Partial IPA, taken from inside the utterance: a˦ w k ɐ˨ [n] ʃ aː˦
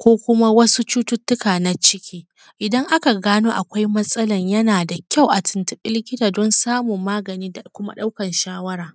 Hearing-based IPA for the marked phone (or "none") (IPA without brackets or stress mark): n